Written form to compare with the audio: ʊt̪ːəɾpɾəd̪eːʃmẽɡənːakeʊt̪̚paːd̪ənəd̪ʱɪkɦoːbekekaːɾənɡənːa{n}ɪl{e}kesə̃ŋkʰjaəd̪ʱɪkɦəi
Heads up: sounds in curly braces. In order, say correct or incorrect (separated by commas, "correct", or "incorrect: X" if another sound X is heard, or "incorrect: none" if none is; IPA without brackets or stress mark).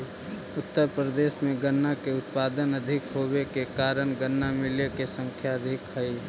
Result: incorrect: m, correct